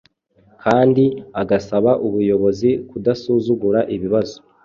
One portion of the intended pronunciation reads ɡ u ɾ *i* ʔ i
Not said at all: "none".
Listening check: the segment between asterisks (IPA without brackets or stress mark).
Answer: a